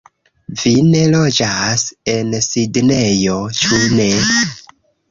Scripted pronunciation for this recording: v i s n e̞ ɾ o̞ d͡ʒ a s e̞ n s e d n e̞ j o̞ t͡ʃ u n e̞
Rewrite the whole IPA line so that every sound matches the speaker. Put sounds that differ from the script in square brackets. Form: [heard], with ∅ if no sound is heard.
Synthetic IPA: v i [∅] n e̞ [l] o̞ d͡ʒ a s e̞ n s [i] d n e̞ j o̞ t͡ʃ u n e̞